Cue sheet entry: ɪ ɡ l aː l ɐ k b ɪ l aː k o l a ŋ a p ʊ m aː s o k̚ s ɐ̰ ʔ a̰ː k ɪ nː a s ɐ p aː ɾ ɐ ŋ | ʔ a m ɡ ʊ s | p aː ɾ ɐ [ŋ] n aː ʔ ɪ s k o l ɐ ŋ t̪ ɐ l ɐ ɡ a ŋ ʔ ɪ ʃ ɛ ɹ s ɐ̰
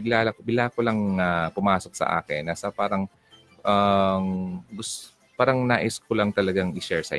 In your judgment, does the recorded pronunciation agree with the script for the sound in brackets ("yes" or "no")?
yes